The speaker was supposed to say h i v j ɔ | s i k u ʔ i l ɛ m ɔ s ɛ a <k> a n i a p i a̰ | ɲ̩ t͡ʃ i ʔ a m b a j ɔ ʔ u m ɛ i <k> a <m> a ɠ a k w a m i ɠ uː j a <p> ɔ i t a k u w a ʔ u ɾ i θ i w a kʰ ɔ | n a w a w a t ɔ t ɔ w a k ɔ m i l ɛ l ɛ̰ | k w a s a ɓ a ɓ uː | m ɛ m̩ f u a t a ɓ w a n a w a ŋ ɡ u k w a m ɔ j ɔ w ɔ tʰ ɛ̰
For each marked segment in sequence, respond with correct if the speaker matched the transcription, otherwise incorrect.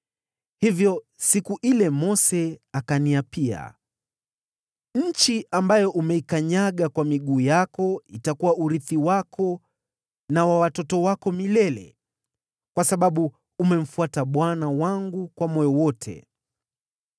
correct, correct, incorrect: ɲ, incorrect: k

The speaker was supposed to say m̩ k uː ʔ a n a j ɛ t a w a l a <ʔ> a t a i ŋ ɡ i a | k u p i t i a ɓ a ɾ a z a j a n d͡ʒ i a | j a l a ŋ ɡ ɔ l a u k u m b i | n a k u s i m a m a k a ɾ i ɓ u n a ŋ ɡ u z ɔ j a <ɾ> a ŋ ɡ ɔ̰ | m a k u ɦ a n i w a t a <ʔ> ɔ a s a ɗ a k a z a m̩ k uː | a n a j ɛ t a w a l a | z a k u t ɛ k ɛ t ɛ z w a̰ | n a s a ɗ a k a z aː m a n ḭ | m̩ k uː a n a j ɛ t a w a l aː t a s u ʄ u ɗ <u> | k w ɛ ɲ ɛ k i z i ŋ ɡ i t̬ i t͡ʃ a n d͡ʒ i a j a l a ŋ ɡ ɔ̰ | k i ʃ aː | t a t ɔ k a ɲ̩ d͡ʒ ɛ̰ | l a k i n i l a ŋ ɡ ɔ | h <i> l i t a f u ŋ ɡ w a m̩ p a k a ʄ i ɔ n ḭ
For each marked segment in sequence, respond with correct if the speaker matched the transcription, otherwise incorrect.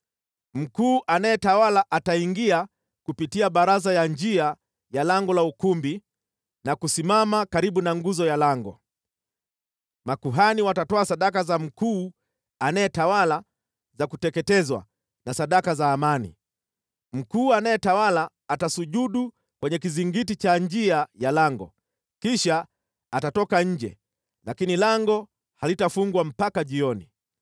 correct, incorrect: l, incorrect: t, correct, incorrect: a

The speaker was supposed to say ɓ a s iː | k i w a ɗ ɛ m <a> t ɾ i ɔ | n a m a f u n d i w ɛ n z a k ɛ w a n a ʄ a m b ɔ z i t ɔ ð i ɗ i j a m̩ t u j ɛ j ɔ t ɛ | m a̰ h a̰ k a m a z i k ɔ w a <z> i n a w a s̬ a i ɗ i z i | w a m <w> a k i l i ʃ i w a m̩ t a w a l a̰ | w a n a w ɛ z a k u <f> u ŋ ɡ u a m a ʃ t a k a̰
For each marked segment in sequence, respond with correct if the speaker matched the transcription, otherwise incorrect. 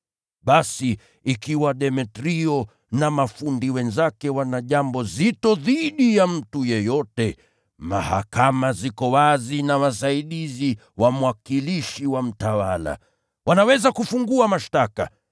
incorrect: ɛ, correct, correct, correct

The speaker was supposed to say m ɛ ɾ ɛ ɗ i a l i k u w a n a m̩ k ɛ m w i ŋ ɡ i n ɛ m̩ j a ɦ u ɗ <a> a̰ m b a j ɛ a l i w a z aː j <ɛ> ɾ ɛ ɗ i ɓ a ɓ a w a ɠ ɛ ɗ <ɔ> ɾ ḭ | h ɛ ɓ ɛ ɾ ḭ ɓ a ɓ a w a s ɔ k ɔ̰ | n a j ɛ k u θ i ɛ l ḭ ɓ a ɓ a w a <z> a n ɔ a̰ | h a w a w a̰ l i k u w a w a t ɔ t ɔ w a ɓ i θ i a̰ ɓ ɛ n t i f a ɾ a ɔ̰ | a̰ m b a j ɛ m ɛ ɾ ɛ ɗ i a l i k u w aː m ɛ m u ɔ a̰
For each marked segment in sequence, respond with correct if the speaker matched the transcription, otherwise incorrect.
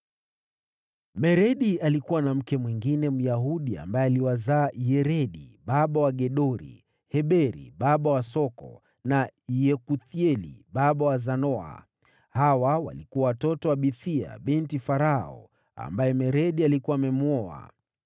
incorrect: i, correct, correct, correct

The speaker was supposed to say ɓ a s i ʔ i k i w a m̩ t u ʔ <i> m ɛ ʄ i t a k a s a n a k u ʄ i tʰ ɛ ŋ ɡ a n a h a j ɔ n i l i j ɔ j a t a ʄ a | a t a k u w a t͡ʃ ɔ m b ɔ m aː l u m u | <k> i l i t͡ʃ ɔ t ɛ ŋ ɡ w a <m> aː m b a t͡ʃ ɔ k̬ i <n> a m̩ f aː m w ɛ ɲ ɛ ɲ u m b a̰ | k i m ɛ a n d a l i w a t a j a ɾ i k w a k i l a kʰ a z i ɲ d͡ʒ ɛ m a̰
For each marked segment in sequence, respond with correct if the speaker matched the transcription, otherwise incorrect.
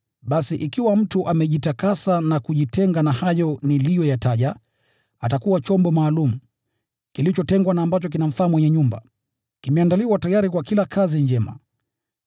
incorrect: a, correct, incorrect: n, correct

